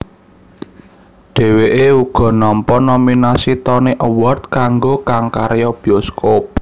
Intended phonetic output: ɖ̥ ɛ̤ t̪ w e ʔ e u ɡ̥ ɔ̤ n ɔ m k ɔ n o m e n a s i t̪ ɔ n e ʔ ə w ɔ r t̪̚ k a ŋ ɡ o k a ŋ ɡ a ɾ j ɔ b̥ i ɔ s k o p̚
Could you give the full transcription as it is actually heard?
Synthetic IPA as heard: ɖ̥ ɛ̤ w e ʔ e u ɡ̥ ɔ̤ n ɔ m p ɔ n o m i n a s i t̪ ɔ n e ʔ ə w ɔ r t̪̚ k a ŋ ɡ o k a ŋ k a ɾ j ɔ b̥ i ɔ s k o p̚